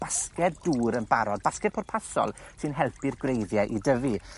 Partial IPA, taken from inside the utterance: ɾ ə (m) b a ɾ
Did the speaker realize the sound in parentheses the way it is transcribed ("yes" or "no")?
no